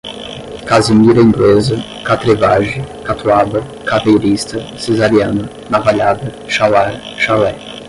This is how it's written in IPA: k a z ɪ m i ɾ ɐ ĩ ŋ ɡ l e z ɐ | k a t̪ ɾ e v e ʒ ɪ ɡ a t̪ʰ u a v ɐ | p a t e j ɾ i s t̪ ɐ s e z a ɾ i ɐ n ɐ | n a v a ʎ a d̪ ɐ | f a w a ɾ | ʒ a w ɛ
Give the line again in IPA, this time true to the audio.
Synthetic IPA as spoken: k a z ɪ m i ɾ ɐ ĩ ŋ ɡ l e z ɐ | k a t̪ ɾ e v a ʒ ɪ k a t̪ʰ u a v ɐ | k a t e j ɾ i s t̪ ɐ s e z a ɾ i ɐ n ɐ | n a v a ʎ a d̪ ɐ | ʃ a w a ɾ | ʃ a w ɛ